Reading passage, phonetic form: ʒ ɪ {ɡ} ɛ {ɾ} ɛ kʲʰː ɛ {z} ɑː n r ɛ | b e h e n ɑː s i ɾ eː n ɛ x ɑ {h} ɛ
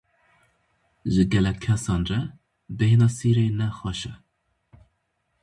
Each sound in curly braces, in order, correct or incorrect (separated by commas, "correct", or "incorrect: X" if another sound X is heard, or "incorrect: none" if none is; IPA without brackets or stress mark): correct, incorrect: l, incorrect: s, incorrect: ʃ